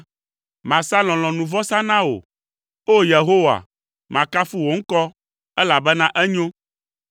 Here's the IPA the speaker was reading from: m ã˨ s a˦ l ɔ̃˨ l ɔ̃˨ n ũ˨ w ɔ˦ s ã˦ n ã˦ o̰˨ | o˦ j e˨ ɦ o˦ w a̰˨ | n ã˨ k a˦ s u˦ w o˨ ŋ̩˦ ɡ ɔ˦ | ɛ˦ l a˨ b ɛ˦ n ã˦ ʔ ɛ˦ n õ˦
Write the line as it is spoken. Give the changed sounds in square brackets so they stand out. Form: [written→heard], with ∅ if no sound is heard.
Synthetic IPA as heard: m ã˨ s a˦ l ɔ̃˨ l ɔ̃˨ n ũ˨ [w→v] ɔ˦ s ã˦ n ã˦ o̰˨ | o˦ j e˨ ɦ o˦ w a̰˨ | [n→m] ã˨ k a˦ [s→f] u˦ w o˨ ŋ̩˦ [ɡ→k] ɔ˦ | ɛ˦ l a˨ b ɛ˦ n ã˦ ʔ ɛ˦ [n→ɲ] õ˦